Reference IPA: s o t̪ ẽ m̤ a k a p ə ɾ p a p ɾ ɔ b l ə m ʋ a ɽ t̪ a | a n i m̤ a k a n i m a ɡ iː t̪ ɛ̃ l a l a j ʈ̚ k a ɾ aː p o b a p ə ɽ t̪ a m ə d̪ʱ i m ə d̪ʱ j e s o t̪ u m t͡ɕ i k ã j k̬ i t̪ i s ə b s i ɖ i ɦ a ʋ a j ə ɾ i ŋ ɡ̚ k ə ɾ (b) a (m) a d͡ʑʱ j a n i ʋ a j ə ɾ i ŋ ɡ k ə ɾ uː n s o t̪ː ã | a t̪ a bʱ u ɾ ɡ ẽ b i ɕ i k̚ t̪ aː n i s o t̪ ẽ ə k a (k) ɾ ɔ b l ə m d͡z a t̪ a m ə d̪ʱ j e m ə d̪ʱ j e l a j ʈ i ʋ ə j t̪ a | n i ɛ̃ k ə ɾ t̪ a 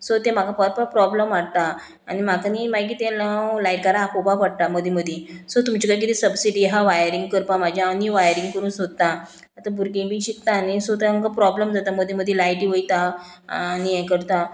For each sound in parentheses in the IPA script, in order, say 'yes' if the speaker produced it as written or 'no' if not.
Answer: no, yes, no

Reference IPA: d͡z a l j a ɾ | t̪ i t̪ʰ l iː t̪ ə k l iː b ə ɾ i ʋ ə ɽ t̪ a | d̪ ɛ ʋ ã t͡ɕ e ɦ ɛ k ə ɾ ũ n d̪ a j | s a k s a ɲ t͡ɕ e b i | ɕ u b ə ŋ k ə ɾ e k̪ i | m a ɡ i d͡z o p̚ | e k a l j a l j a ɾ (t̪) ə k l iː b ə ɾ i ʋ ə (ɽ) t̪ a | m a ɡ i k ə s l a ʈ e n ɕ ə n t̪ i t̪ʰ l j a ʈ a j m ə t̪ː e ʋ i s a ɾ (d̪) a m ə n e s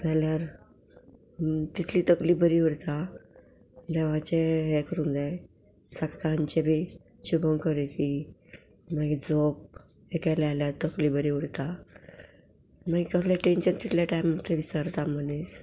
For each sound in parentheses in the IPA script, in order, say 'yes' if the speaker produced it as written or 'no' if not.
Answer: yes, yes, no

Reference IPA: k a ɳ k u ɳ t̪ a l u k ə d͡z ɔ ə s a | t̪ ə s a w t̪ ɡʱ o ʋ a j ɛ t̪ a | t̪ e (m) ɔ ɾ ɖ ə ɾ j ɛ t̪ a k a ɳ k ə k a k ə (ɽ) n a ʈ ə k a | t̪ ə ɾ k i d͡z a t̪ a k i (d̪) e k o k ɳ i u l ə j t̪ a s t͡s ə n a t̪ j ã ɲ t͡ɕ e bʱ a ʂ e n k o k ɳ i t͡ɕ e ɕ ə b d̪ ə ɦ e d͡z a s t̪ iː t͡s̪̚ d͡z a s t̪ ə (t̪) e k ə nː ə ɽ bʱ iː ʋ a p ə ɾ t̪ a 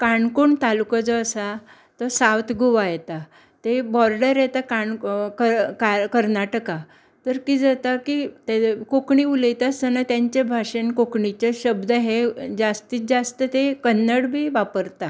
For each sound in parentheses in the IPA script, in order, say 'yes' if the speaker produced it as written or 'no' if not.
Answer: no, no, no, yes

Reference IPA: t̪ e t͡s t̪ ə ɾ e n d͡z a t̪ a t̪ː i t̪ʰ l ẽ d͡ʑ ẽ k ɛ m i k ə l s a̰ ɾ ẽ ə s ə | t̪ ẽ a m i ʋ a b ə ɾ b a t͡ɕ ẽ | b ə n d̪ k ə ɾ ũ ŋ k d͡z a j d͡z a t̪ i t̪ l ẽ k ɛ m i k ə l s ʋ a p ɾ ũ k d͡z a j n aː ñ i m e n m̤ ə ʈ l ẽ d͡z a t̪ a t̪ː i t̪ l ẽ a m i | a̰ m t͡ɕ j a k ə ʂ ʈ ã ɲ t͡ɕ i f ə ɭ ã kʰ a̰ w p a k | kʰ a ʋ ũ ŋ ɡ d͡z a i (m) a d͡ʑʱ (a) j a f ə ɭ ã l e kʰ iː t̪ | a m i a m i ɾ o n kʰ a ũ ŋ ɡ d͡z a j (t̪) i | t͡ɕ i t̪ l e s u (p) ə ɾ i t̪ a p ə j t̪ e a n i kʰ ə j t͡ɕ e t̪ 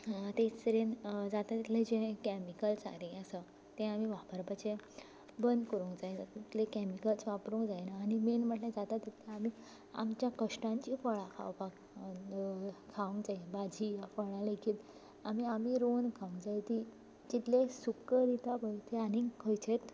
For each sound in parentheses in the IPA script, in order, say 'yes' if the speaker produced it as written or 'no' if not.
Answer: no, no, yes, no

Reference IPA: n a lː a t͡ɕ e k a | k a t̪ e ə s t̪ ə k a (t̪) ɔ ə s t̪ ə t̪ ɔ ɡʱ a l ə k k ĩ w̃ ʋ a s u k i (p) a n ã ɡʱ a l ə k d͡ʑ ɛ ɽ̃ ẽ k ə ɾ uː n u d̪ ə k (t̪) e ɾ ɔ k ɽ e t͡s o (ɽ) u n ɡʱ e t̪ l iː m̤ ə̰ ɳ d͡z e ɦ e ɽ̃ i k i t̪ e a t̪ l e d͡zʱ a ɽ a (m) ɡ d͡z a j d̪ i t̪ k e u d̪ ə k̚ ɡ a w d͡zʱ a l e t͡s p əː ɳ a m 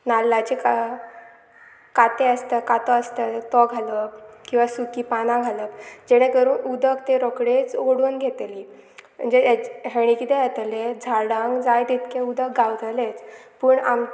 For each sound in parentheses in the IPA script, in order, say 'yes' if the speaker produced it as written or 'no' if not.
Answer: yes, yes, yes, yes, no

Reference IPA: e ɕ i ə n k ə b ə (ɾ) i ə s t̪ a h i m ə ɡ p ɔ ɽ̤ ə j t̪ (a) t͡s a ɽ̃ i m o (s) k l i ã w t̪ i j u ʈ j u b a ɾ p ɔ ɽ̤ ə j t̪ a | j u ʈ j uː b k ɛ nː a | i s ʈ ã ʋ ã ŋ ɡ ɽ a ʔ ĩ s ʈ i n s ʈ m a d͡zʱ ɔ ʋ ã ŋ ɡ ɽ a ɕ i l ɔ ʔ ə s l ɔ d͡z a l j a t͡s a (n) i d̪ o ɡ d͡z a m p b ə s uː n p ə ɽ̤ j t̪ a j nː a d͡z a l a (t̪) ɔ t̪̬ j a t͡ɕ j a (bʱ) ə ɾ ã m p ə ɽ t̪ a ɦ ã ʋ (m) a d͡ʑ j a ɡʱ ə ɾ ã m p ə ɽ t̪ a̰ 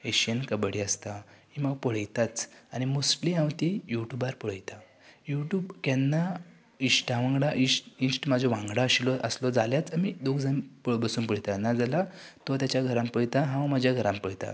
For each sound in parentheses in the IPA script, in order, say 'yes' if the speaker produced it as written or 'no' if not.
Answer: no, yes, yes, no, yes, no, yes

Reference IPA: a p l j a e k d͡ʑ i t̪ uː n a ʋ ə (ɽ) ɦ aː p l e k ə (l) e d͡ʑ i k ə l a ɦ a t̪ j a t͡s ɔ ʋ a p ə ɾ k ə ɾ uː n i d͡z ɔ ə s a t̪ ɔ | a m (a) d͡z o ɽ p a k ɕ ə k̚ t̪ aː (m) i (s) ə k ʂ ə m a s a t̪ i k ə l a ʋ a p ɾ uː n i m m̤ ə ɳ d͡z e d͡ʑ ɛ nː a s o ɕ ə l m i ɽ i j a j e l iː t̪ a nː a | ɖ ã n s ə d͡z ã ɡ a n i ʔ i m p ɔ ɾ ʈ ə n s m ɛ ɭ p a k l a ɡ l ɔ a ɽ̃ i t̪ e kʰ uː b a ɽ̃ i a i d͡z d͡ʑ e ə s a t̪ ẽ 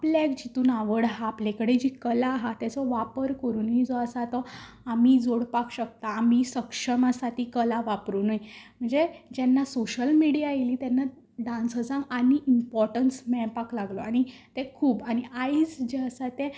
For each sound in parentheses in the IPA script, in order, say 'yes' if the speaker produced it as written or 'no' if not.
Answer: yes, no, no, yes, yes

